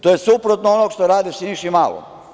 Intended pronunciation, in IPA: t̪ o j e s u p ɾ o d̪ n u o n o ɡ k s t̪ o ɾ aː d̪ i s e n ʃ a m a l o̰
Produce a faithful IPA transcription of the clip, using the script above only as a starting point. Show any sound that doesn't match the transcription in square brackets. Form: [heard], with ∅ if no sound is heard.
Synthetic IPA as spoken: t̪ o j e s u p ɾ o [t̪] n [o] o n o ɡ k [ʃ] t̪ o ɾ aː d̪ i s [i] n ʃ [i] m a l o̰